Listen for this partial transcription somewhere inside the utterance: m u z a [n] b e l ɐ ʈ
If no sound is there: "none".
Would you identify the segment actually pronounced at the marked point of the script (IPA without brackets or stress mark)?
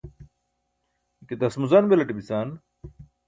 n